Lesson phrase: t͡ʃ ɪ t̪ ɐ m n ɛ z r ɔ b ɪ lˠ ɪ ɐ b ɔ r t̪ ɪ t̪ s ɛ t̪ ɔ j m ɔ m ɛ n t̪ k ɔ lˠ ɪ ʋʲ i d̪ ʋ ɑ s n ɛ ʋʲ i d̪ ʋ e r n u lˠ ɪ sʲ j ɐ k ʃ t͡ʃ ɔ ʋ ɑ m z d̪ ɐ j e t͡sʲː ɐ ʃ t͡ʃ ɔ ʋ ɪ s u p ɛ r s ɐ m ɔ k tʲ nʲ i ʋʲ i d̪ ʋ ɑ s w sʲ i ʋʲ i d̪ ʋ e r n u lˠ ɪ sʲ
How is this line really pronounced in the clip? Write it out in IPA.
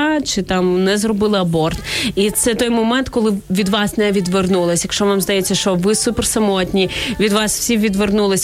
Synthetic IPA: t͡ʃ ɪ t̪ ɑ m n ɛ z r ɔ b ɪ lˠ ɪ ɐ b ɔ r t̪ i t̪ s ɛ t̪ ɔ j m ɔ m ɛ n t̪ k ɔ lˠ ɪ ʋʲ i d̪ ʋ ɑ s n ɛ ʋʲ i d̪ ʋ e r n u lˠ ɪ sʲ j ɐ k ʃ t͡ʃ ɔ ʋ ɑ m z d̪ ɐ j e t͡sʲː ɐ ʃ t͡ʃ ɔ ʋ ɪ s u p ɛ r s ɐ m ɔ tʲ nʲ i ʋʲ i d̪ ʋ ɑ s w sʲ i ʋʲ i d̪ ʋ e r n u lˠ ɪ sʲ